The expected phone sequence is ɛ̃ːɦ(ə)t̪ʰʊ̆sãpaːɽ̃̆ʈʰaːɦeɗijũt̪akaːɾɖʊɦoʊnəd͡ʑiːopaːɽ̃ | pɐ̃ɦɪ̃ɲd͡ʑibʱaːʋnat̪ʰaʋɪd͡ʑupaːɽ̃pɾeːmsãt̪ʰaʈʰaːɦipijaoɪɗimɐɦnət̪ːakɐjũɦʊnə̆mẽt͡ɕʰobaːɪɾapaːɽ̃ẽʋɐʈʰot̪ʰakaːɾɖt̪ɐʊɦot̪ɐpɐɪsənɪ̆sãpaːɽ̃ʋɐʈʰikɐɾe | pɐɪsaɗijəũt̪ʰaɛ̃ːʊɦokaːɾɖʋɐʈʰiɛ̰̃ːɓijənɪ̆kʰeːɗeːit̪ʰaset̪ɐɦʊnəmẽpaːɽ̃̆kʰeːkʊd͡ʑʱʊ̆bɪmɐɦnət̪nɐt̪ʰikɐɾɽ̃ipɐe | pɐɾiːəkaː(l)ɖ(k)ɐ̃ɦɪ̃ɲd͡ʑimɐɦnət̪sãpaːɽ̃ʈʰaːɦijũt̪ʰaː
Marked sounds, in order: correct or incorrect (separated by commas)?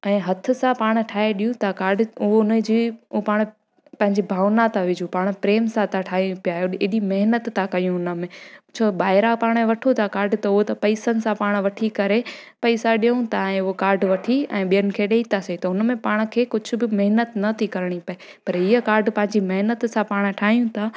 incorrect, incorrect, incorrect